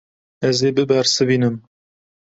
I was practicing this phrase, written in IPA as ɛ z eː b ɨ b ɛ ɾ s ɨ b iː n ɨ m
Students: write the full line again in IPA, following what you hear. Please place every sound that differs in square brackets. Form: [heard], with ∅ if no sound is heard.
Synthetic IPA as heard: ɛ z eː b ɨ b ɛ ɾ s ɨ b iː n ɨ m